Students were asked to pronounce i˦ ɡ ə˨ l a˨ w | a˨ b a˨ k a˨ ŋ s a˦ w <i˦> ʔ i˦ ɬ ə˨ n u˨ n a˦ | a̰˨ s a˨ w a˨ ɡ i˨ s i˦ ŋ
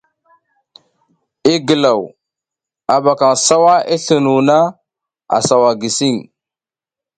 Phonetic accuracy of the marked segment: incorrect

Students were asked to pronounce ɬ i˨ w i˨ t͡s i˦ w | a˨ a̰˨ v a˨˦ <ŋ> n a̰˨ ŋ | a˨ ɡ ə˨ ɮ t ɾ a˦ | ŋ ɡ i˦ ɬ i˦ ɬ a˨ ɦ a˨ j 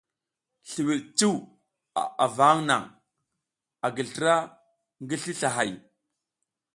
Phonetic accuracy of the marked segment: correct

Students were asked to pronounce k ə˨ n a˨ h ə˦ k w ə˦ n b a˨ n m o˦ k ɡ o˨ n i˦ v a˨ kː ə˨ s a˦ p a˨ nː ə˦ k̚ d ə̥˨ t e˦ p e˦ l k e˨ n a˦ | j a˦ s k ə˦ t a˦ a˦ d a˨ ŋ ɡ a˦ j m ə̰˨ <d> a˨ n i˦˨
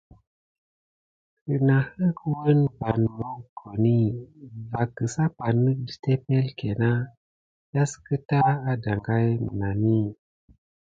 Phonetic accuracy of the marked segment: incorrect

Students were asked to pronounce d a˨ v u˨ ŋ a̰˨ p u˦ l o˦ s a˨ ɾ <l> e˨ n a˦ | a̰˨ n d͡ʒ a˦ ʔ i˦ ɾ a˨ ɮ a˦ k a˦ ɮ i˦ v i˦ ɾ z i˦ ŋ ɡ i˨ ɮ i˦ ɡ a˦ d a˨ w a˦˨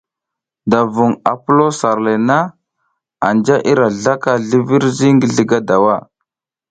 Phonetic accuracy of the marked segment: correct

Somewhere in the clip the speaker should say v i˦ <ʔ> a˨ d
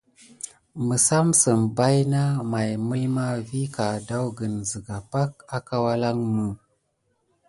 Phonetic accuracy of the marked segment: incorrect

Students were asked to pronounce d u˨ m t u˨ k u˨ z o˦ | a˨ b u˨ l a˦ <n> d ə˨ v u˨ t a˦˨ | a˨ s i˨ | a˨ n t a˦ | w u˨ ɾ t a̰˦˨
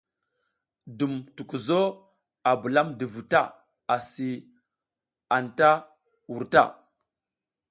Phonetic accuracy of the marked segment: incorrect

